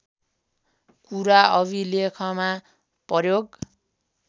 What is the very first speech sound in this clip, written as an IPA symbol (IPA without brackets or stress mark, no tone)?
k